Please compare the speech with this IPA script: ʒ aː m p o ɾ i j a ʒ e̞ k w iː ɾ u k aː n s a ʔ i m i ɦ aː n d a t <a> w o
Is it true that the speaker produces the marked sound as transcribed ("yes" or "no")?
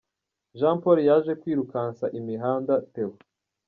no